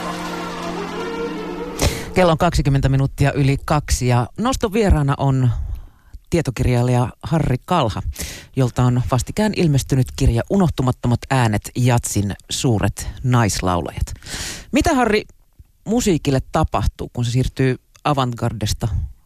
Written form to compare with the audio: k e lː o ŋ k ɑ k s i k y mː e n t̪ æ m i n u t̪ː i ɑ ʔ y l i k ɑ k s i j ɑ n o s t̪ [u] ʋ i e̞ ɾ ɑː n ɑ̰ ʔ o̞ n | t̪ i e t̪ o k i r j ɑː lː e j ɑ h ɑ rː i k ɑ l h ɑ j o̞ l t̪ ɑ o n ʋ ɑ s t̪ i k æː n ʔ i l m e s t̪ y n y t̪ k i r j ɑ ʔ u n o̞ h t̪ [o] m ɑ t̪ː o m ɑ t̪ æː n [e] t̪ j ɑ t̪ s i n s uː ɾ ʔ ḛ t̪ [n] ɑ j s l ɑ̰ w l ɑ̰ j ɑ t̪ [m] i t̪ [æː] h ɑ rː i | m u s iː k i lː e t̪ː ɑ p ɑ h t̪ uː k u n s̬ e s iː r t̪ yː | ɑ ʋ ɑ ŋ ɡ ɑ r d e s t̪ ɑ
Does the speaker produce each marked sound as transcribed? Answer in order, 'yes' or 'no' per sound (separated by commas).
no, no, yes, yes, yes, no